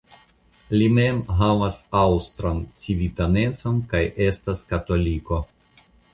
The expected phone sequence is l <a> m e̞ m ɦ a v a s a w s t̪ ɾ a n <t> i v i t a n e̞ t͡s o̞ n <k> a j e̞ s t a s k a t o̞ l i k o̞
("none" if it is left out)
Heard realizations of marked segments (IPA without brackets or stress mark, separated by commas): i, t͡s, k